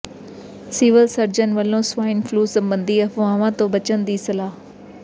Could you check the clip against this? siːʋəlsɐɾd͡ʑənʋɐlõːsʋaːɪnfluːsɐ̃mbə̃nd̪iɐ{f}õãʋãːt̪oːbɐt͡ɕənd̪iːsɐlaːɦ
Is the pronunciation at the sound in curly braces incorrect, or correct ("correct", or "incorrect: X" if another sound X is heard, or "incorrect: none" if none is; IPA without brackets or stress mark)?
correct